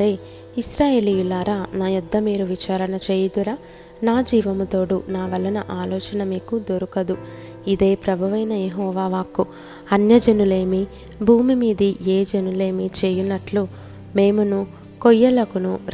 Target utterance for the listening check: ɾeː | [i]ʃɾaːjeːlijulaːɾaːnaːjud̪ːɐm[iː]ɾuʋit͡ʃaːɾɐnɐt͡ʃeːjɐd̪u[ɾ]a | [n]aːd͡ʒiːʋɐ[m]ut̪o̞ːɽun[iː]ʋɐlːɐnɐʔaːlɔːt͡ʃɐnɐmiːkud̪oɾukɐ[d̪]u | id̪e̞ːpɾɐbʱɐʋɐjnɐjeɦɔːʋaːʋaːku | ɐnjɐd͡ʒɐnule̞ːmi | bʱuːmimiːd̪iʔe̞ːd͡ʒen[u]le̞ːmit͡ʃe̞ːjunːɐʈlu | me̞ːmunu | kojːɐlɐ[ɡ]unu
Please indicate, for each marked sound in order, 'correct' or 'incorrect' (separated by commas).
correct, correct, correct, correct, correct, incorrect, correct, correct, incorrect